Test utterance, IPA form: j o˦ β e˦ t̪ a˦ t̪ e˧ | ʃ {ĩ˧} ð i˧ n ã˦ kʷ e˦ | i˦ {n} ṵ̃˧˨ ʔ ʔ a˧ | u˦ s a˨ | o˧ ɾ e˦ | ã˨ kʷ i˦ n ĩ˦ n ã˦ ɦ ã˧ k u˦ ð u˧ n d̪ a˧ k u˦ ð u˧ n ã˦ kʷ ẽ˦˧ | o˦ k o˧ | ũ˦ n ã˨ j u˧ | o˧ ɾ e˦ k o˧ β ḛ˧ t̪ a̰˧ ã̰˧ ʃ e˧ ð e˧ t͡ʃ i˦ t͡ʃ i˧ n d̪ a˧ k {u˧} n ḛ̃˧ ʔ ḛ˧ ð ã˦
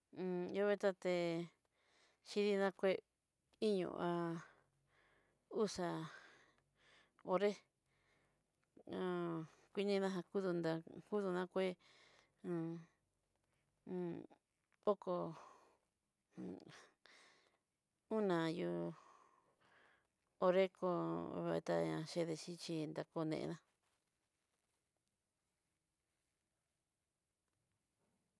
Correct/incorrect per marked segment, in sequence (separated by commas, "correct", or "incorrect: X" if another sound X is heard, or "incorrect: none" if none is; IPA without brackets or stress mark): incorrect: i˧, incorrect: ɲ, incorrect: o˧